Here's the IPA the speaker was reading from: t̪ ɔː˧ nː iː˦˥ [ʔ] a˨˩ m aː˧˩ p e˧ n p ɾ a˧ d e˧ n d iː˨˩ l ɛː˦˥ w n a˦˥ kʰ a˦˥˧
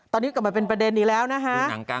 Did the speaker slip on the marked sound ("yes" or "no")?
yes